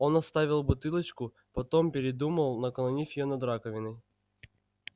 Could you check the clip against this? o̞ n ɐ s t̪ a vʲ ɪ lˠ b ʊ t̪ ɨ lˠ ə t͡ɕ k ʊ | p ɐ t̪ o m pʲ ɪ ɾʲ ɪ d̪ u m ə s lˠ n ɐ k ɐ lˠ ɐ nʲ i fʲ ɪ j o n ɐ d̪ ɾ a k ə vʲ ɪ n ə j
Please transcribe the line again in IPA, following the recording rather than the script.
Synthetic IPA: o̞ n ɐ s t̪ a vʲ ɪ lˠ b ʊ t̪ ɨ lˠ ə t͡ɕ k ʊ | p ɐ t̪ o m pʲ ɪ ɾʲ ɪ d̪ u m ə lˠ n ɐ k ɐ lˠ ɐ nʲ i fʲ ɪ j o n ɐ d̪ ɾ a k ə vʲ ɪ n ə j